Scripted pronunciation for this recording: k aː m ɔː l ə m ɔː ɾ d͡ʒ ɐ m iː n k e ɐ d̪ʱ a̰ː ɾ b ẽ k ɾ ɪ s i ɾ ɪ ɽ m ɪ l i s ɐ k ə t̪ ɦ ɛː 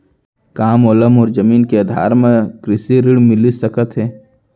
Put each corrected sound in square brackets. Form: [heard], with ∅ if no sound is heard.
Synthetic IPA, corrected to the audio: k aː m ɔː l ə m ɔː ɾ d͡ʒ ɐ m iː n k e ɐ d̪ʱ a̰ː ɾ [m] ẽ k ɾ ɪ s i ɾ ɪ ɽ m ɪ l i s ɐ k ə t̪ ɦ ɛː